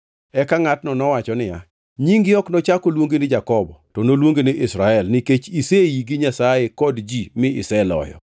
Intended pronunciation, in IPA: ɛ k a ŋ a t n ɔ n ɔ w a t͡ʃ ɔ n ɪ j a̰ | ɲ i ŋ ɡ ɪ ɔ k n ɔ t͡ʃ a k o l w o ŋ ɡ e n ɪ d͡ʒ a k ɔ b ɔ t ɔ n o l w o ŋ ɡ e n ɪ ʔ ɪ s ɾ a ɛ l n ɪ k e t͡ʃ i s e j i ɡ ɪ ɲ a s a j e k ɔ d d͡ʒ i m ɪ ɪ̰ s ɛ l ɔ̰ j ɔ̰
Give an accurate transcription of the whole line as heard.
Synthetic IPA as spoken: ɛ k a ŋ a t n ɔ n ɔ w a t͡ʃ ɔ n ɪ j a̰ | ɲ i ŋ ɡ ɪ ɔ k n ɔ t͡ʃ a k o l w o ŋ ɡ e n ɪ d͡ʒ a k ɔ b ɔ t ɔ n o l w o ŋ ɡ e n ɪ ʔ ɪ s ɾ a ɛ l n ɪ k e t͡ʃ i s e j i ɡ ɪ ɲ a s a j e k ɔ d d͡ʒ i m ɪ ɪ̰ s ɛ l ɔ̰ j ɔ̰